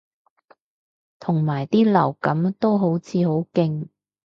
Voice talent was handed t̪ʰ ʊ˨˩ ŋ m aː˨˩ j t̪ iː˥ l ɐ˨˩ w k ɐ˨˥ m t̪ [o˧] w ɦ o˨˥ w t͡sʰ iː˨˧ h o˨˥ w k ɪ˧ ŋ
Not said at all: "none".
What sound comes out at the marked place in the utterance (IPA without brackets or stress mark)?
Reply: o˥